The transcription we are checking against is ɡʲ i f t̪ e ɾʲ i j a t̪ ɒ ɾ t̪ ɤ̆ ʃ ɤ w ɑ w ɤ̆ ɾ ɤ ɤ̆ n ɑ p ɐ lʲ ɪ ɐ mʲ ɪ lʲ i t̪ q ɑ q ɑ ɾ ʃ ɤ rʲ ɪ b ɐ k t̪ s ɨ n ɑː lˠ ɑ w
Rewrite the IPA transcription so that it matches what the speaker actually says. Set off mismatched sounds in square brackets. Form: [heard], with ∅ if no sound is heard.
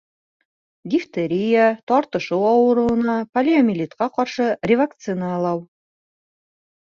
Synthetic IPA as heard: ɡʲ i f t̪ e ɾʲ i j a t̪ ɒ ɾ t̪ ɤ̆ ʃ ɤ w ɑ w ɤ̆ ɾ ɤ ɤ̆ n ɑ p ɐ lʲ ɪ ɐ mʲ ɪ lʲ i t̪ q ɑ q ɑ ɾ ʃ ɤ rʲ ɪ [v] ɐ k t̪ s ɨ n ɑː lˠ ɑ w